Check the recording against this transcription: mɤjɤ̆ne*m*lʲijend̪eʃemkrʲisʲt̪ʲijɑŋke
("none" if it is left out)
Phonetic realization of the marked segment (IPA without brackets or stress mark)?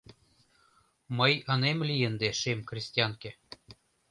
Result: m